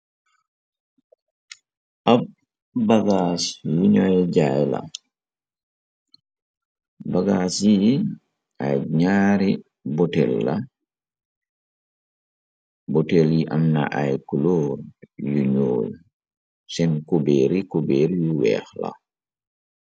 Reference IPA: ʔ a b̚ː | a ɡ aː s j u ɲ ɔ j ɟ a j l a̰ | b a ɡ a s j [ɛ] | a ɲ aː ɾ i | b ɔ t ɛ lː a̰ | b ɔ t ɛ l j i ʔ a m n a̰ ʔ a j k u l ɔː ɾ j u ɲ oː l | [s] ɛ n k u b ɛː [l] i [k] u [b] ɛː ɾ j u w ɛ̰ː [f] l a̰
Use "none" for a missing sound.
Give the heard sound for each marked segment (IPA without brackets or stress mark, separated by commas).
i, s, ɾ, k, b, x